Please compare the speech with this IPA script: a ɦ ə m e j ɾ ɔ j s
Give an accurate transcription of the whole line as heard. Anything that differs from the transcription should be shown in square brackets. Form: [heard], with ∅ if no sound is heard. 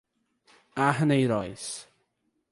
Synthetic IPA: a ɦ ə [n] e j ɾ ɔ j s